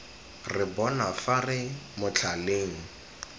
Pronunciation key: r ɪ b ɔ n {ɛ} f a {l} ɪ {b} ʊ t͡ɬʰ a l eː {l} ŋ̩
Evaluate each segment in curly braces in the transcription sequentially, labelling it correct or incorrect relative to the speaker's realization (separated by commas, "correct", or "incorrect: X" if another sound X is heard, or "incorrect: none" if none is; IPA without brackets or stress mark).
incorrect: a, incorrect: r, incorrect: m, incorrect: none